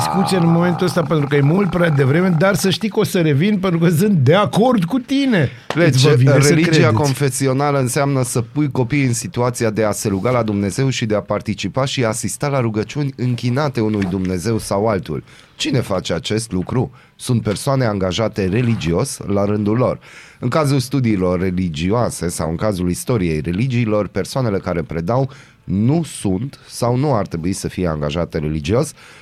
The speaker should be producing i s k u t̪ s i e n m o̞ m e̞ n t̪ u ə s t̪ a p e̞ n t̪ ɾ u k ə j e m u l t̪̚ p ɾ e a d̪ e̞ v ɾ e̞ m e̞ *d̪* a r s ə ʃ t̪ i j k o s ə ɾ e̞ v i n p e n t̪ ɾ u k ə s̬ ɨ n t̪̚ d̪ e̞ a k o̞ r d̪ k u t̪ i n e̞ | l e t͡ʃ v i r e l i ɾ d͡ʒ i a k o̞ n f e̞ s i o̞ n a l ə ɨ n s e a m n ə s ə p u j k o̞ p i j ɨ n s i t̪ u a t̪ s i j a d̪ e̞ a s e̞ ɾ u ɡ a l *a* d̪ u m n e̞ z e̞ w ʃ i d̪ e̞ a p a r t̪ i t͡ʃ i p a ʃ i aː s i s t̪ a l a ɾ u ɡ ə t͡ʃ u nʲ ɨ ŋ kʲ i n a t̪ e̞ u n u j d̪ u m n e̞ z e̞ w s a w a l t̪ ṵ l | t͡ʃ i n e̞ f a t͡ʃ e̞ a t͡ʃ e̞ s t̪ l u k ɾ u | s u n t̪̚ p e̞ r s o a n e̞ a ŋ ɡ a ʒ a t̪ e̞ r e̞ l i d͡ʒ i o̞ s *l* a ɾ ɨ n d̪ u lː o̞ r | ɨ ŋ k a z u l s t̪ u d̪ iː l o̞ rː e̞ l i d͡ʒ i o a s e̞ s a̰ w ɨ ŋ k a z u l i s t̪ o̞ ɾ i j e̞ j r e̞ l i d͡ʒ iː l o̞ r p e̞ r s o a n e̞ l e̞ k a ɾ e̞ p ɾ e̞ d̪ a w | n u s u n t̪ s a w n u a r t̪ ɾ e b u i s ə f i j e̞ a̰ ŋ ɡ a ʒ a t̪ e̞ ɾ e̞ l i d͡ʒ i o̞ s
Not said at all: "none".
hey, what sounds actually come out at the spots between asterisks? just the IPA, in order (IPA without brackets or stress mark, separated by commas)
d̪, a, l